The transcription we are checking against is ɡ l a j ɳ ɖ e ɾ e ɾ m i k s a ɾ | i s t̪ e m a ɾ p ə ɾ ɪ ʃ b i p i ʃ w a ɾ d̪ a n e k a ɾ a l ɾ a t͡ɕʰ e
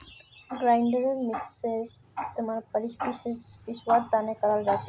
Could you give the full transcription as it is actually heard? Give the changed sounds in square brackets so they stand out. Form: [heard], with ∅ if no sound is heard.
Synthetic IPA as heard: ɡ [ɾ] a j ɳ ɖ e ɾ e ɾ m i k s [e] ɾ | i s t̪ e m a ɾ p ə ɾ [i] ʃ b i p i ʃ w a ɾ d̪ a n e k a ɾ a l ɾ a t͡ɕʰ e